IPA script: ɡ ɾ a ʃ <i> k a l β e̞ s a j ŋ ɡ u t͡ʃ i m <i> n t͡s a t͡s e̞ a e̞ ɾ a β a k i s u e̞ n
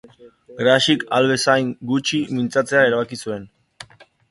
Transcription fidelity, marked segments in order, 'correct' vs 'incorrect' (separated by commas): correct, correct